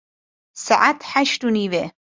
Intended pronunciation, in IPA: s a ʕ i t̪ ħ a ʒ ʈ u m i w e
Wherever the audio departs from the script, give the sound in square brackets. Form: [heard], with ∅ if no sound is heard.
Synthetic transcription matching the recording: s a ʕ [a] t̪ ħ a [ʃ] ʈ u [n] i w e